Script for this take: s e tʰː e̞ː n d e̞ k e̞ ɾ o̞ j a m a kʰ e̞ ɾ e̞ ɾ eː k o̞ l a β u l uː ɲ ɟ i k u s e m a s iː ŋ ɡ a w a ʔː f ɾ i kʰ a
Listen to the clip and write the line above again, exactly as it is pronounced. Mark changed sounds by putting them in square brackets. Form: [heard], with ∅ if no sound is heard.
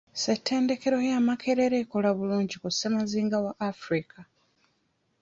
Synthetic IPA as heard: s e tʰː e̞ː n d e̞ k e̞ ɾ o̞ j a m a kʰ e̞ ɾ e̞ ɾ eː k o̞ l a β u l uː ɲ ɟ i k u s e m a [z] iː ŋ ɡ a w a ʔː f ɾ i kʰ a